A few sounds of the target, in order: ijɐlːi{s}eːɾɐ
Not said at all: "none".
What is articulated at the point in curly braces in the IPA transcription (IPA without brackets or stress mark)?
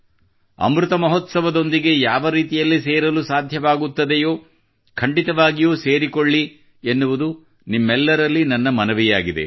s